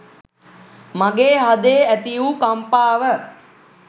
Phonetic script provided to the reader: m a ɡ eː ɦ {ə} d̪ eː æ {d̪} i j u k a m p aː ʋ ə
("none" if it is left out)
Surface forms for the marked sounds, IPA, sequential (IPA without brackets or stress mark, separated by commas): a, t̪